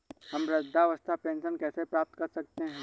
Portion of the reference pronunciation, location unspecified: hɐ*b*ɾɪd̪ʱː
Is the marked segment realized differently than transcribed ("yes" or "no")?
yes